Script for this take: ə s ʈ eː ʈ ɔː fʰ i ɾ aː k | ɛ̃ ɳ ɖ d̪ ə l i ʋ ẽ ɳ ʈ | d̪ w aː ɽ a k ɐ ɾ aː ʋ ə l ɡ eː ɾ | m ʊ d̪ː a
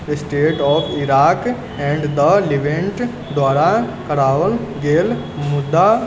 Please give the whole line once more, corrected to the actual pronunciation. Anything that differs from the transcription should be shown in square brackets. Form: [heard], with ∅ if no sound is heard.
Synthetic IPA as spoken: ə s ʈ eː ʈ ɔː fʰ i ɾ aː k | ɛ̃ ɳ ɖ d̪ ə l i ʋ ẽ ɳ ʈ | d̪ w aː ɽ a k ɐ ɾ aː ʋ ə l ɡ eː [l] | m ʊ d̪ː a